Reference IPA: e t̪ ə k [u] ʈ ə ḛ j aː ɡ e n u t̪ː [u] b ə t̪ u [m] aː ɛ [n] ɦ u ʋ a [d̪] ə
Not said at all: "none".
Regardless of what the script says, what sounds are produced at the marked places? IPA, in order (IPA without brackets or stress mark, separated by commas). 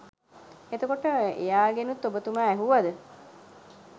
o, o, m, none, d̪